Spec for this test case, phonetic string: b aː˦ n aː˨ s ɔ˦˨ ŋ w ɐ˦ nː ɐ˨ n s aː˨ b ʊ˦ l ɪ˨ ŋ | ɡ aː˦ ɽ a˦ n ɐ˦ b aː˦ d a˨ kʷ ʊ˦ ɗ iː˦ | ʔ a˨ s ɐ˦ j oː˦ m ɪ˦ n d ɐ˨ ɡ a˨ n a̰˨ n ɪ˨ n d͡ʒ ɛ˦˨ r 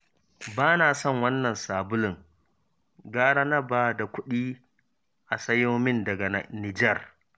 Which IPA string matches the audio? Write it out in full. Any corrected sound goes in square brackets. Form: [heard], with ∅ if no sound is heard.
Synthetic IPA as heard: b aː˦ n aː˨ s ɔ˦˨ ŋ w ɐ˦ nː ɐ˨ n s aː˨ b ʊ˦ l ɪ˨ ŋ | ɡ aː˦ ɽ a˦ n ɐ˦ b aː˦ d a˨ kʷ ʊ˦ ɗ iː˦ | ʔ a˨ s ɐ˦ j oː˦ m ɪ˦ n d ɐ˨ ɡ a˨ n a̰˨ n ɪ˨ [∅] d͡ʒ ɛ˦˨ r